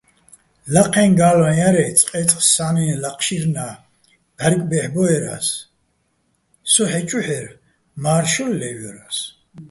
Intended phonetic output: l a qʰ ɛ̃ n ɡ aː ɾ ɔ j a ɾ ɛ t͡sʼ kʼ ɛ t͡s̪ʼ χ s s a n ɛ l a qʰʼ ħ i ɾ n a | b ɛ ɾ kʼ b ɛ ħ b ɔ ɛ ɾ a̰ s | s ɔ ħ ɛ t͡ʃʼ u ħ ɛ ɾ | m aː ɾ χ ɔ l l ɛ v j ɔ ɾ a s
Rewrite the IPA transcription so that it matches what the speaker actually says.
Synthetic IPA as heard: l a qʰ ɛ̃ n ɡ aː l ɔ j a ɾ ɛ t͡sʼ qʼ ɛ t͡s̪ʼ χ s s a n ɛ l a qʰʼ ʃ i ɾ n a | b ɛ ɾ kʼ b ɛ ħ b ɔ ɛ ɾ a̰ s | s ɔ ħ ɛ t͡ʃʼ u ħ ɛ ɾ | m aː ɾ ʃ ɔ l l ɛ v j ɔ ɾ a s